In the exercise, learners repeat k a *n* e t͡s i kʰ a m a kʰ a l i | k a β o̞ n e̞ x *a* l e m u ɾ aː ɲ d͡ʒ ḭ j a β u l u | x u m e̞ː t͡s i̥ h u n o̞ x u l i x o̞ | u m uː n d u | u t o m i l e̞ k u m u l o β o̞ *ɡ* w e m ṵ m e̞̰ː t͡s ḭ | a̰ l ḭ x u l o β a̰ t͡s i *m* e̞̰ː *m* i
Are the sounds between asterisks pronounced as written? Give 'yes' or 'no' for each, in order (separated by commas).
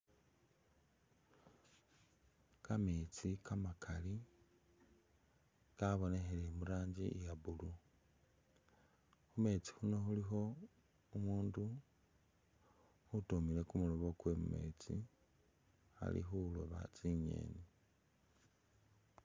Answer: no, no, no, no, no